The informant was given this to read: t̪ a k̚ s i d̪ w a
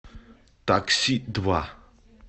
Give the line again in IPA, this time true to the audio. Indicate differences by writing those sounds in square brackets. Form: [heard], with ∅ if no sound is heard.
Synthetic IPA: t̪ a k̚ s i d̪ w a